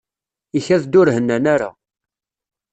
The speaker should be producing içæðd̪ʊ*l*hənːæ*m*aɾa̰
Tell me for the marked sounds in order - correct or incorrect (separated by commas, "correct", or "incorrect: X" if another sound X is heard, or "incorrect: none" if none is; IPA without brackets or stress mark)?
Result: incorrect: ɾ, incorrect: n